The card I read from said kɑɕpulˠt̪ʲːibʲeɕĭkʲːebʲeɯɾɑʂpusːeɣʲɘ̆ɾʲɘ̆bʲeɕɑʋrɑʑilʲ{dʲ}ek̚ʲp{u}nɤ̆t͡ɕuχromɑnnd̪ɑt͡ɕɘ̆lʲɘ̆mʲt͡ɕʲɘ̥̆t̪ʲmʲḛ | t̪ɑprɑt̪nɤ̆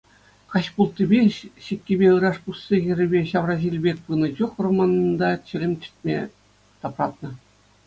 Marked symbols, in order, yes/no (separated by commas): no, no